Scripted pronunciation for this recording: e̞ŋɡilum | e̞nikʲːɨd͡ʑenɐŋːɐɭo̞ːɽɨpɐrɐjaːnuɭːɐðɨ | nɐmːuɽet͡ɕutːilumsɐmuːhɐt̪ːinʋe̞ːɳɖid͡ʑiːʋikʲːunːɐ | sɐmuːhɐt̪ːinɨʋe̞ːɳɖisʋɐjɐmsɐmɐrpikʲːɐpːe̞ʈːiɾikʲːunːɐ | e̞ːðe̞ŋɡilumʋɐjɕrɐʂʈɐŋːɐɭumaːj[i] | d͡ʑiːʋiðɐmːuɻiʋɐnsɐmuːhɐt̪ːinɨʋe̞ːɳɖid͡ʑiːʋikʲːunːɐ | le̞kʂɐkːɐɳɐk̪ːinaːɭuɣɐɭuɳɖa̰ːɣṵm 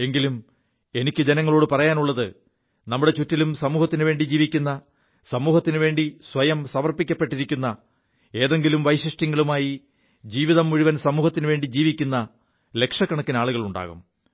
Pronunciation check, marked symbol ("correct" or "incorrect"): correct